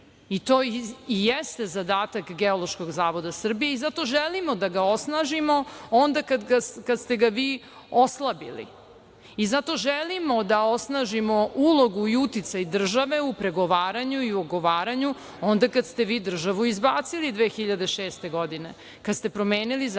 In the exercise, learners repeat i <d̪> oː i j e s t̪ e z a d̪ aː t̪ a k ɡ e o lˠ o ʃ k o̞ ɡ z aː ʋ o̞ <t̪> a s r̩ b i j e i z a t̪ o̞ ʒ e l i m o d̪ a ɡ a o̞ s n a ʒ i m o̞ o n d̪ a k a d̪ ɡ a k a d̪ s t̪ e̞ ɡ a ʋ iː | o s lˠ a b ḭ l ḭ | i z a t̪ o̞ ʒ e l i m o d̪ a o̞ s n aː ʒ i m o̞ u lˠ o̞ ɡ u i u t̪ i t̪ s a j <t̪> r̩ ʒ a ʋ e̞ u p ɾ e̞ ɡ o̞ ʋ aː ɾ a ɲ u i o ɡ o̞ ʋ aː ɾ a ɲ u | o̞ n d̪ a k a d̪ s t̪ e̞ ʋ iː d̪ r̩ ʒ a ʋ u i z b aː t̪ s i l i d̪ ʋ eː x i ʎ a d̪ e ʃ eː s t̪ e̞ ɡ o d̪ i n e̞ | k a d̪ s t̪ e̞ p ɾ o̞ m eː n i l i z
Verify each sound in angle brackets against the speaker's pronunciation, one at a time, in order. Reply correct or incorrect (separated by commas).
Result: incorrect, incorrect, incorrect